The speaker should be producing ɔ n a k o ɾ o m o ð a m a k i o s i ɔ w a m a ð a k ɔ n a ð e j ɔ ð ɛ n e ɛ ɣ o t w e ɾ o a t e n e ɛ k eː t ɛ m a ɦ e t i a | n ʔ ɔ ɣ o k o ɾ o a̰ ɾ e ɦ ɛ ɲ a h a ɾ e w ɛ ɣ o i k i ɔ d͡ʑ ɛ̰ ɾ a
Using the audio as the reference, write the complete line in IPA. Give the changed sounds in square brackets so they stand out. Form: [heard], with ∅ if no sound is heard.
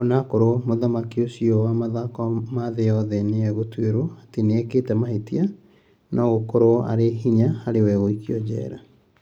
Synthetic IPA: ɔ n a k o ɾ o m o ð a m a k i o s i ɔ w a m a ð a k ɔ [m] a ð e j ɔ ð ɛ n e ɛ ɣ o t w e ɾ o a t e n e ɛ k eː t ɛ m a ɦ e t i a | n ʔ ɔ ɣ o k o ɾ o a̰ ɾ e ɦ [i] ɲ a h a ɾ e w ɛ ɣ o i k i ɔ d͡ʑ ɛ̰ ɾ a